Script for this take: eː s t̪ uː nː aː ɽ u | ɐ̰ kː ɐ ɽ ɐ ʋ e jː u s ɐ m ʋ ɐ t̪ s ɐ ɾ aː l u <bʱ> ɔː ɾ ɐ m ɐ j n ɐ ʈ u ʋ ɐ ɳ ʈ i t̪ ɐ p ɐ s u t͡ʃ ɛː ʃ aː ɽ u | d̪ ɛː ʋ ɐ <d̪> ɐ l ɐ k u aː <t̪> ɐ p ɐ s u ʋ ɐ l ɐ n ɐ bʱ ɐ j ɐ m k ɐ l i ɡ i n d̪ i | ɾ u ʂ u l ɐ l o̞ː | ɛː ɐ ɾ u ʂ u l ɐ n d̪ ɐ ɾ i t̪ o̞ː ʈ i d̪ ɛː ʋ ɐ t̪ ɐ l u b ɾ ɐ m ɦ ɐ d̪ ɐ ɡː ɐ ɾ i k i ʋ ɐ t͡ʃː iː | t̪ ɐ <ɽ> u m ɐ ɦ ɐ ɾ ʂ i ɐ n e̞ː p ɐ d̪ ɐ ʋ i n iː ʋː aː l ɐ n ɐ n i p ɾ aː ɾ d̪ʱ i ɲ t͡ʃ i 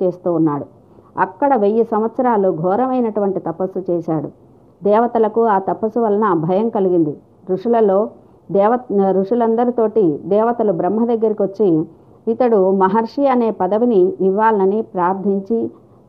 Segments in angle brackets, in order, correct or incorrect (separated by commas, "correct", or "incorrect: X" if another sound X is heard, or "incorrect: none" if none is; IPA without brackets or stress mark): incorrect: ɡʱ, incorrect: t̪, correct, correct